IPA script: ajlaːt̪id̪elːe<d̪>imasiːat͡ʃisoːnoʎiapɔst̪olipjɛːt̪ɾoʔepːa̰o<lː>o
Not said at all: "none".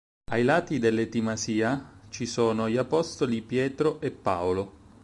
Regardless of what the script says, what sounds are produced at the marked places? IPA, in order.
t̪, l

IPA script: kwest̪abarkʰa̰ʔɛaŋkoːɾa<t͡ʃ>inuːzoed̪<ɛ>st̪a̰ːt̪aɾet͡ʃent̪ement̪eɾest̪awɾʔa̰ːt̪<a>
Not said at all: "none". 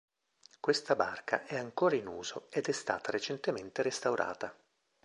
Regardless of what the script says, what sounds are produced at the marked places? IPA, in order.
none, ɛ, a

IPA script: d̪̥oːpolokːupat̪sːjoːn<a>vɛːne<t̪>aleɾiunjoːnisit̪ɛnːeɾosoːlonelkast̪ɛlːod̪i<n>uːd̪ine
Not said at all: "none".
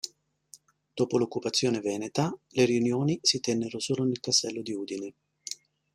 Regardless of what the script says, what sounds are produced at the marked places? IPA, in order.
e, t̪, none

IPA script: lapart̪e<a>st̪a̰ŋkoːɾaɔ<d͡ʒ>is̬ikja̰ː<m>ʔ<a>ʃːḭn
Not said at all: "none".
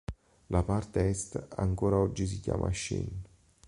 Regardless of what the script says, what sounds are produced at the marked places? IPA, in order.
ɛ, d͡ʒː, m, a

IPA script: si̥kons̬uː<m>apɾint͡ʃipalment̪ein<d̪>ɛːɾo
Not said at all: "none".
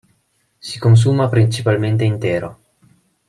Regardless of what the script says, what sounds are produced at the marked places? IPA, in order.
m, t̪

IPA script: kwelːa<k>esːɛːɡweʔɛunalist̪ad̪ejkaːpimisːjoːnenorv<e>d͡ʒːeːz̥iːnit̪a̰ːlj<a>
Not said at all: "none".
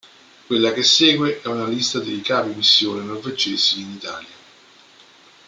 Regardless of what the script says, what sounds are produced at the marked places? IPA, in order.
k, e, a

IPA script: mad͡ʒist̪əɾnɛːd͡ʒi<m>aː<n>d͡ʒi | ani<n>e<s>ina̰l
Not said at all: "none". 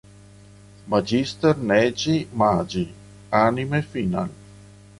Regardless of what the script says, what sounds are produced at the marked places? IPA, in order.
m, none, m, f

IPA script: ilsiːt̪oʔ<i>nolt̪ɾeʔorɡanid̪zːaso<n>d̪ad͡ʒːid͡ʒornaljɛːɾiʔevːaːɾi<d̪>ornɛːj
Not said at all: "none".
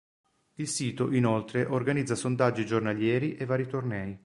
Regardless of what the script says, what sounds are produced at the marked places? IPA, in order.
i, n, t̪

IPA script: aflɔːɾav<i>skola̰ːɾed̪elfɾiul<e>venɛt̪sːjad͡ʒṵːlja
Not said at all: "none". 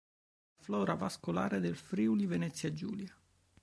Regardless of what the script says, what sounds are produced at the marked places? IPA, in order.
a, i

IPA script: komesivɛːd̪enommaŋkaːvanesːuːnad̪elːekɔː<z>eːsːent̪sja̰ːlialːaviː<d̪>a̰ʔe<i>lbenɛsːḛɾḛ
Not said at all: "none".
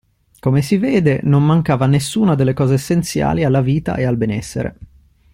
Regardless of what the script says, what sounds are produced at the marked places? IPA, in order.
z, t̪, a

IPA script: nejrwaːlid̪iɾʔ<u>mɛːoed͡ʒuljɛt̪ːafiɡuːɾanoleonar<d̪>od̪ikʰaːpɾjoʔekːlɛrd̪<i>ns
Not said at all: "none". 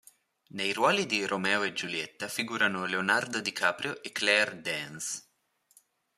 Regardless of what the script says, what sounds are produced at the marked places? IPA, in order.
o, d̪, ɛ

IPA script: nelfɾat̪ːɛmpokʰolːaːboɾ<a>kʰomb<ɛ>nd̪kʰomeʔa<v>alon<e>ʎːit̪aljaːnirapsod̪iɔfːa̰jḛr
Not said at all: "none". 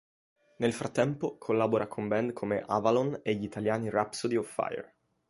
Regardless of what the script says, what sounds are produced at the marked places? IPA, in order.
a, ɛ, v, e

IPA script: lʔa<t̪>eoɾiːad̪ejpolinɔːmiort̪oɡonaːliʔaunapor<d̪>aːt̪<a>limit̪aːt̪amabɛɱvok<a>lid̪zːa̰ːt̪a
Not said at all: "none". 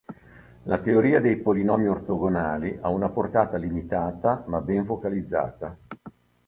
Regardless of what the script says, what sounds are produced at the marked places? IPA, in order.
t̪, t̪, a, a

